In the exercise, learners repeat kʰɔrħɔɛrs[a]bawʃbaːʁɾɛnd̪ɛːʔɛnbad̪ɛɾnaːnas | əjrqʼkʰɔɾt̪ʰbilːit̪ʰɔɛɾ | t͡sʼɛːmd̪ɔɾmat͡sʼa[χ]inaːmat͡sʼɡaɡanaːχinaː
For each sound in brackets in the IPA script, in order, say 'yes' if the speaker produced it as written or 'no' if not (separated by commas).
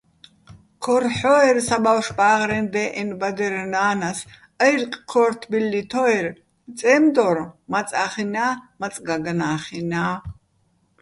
yes, yes